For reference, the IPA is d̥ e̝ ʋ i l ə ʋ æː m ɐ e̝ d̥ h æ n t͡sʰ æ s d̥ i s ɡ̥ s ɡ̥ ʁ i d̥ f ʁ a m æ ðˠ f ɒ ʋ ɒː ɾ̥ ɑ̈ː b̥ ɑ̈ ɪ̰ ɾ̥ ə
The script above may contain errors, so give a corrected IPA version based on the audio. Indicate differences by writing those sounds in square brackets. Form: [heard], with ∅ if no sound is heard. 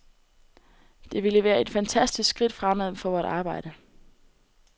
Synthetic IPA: d̥ e̝ ʋ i l ə ʋ æː [∅] ɐ e̝ d̥ [f] æ n t͡sʰ æ s d̥ i s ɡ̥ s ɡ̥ ʁ i d̥ f ʁ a m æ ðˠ f ɒ ʋ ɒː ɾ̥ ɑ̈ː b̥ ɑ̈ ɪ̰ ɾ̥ ə